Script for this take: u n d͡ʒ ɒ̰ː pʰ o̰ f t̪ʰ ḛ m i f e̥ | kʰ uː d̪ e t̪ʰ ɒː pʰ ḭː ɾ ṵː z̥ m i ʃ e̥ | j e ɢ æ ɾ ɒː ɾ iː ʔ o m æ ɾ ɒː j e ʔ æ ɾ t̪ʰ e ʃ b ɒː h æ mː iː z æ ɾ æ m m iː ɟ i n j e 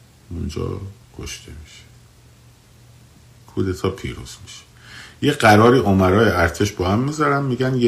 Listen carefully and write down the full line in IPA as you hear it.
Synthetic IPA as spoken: u n d͡ʒ ɒ̰ː kʰ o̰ ʃ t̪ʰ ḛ m i ʃ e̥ | kʰ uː d̪ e t̪ʰ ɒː pʰ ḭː ɾ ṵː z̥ m i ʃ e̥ | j e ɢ æ ɾ ɒː ɾ iː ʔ o m æ ɾ ɒː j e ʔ æ ɾ t̪ʰ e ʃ b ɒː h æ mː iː z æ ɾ æ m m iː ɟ æ n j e